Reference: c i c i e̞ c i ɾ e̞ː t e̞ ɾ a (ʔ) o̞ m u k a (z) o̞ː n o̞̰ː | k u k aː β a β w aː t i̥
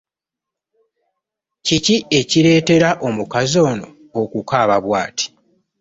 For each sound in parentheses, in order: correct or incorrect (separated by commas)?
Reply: correct, correct